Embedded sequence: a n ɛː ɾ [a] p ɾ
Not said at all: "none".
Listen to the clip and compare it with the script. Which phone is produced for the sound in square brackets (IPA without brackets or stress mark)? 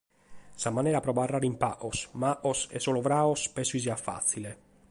a